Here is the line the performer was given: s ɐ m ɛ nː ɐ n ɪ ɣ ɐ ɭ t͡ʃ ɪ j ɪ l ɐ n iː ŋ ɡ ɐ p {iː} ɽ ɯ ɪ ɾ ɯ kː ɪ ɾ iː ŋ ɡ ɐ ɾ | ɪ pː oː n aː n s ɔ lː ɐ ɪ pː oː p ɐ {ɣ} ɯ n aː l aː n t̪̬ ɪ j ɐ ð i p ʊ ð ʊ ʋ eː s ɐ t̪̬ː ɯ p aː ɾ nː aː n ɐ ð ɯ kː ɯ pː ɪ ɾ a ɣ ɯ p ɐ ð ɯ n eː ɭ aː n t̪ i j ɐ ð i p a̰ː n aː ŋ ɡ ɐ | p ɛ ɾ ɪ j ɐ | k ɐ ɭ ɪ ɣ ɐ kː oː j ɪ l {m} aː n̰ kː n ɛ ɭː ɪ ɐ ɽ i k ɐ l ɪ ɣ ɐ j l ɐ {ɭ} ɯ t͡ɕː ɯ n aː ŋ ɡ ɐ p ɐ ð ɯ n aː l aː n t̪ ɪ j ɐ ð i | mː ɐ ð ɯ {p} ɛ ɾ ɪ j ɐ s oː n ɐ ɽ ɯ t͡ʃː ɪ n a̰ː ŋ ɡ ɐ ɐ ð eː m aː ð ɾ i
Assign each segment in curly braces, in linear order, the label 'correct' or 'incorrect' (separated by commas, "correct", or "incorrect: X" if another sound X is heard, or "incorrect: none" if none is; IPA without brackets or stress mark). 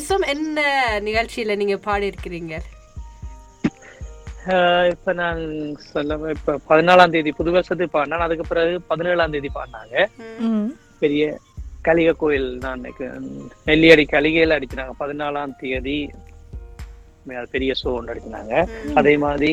incorrect: aː, incorrect: ð, incorrect: n, incorrect: ɽ, correct